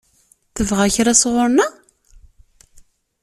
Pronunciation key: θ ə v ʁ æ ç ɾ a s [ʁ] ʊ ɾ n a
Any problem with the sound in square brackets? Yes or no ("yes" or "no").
no